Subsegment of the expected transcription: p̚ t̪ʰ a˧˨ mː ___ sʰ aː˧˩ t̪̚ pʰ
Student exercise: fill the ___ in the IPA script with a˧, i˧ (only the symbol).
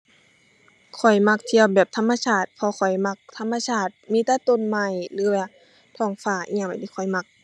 a˧